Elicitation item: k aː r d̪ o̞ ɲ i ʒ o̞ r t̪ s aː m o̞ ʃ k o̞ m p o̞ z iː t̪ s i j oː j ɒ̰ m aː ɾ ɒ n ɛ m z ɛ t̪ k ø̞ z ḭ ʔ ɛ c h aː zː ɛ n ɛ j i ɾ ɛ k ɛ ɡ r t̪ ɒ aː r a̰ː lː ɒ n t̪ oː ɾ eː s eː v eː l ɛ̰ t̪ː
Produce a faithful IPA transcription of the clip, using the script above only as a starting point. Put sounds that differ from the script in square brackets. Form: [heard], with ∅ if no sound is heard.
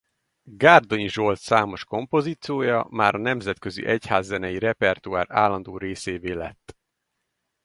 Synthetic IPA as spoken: [ɡ] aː r d̪ o̞ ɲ i ʒ o̞ [l] t̪ s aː m o̞ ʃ k o̞ m p o̞ z iː t̪ s i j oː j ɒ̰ m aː ɾ ɒ n ɛ m z ɛ t̪ k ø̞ z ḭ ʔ ɛ c h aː zː ɛ n ɛ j i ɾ ɛ [p] ɛ [∅] r t̪ [u] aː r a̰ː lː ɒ n [d̪] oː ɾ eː s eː v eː l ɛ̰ t̪ː